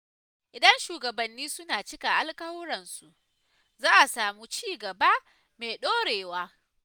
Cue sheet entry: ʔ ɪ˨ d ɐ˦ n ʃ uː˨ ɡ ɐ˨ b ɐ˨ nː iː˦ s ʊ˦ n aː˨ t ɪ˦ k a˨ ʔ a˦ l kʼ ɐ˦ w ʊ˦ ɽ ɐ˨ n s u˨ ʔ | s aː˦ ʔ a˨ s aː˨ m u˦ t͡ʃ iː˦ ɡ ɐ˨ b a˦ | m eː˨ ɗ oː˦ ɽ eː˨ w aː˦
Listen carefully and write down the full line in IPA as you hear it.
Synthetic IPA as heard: ʔ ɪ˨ d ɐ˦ n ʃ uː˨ ɡ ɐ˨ b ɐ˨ nː iː˦ s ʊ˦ n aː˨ t͡ʃ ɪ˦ k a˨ ʔ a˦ l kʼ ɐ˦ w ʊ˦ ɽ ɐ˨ n s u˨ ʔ | z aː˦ ʔ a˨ s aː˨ m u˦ t͡ʃ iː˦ ɡ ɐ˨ b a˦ | m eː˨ ɗ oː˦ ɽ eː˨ w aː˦